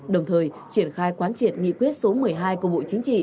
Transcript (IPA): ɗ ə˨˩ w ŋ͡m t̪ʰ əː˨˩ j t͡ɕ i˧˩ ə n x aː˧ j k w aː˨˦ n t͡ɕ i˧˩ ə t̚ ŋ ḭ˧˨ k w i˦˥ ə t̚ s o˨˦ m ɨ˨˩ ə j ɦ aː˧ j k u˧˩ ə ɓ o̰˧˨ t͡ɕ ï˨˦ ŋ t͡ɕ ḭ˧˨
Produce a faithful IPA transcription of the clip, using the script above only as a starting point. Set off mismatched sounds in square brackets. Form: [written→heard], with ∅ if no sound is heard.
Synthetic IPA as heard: ɗ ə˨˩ w ŋ͡m t̪ʰ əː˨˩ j t͡ɕ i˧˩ ə n x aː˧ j k w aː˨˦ n t͡ɕ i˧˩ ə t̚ ŋ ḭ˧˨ k w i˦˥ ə t̚ s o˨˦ m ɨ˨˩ ə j ɦ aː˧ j k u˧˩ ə ɓ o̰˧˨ t͡ɕ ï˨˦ ŋ t͡ɕ ḭ˧˨